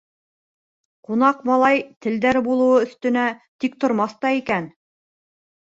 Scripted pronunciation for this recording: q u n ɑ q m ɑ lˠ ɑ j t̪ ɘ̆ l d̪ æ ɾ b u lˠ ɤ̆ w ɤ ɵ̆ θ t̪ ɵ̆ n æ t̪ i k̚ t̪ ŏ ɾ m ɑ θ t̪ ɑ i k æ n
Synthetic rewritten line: q u n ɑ q m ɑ lˠ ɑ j t̪ ɘ̆ l d̪ æ ɾ b u lˠ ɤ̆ w ɤ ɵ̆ θ t̪ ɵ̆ n æ t̪ i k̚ t̪ ŏ ɾ m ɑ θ t̪ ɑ i k æ n

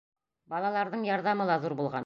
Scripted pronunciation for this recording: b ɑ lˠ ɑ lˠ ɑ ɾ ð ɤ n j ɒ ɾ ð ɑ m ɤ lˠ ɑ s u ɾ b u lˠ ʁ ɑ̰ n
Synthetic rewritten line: b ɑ lˠ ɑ lˠ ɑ ɾ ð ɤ ɴ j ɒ ɾ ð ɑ m ɤ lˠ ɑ z u ɾ b u lˠ ʁ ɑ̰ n

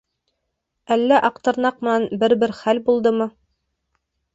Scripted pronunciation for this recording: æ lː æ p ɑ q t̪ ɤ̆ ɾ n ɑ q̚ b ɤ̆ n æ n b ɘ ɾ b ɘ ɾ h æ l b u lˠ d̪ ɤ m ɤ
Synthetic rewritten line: æ lː æ ʔ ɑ q t̪ ɤ̆ ɾ n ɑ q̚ m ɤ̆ n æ n b ɘ ɾ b ɘ ɾ χ æ l b u lˠ d̪ ɤ m ɤ

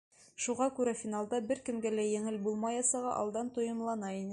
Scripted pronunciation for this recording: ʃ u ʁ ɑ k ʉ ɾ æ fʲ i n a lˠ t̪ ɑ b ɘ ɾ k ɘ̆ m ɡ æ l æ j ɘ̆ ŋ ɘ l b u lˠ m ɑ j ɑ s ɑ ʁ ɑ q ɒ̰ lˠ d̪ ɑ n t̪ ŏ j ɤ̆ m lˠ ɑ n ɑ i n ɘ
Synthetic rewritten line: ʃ u ʁ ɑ k ʉ ɾ æ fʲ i n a lˠ d̪ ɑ b ɘ ɾ k ɘ̆ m ɡ æ l æ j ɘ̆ ŋ ɘ l b u lˠ m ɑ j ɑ s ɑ ʁ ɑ ʔ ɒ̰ lˠ d̪ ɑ n t̪ ŏ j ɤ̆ m lˠ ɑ n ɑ i n ɘ

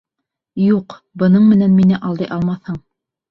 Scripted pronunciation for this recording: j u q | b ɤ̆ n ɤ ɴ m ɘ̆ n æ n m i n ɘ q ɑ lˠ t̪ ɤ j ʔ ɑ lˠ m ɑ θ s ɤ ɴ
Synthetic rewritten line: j u q | b ɤ̆ n ɤ ɴ m ɘ̆ n æ n m i n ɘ ʔ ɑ lˠ d̪ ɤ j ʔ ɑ lˠ m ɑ θ h ɤ ɴ

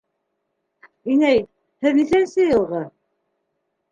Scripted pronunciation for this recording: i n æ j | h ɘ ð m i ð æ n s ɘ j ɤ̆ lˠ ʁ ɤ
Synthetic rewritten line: i n æ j | h ɘ ð n i θ æ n s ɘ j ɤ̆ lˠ ʁ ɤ

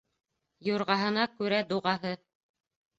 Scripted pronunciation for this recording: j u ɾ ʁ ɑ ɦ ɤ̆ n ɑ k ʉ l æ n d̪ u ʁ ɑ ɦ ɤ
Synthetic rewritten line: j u ɾ ʁ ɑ ɦ ɤ̆ n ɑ k ʉ ɾ æ d̪ u ʁ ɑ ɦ ɤ

